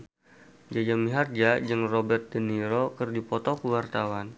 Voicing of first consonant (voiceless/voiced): voiced